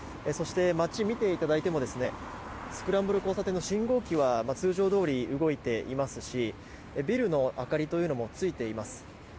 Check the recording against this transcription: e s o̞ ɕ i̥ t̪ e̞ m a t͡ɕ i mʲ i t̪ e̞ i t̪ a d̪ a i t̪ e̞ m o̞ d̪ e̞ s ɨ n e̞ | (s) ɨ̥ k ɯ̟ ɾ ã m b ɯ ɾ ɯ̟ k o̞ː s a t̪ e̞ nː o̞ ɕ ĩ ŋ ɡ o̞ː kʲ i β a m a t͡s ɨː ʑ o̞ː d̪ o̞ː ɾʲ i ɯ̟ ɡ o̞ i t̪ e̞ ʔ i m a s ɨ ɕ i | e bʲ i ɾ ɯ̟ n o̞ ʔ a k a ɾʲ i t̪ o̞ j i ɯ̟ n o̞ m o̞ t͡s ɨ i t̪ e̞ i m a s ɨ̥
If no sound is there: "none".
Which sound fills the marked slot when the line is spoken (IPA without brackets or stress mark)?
s